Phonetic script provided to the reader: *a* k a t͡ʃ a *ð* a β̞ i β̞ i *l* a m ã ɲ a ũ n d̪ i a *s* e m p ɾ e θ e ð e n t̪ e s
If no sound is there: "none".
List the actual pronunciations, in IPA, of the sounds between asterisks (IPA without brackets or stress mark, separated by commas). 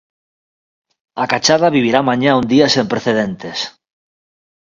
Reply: a, ð, ɾ, s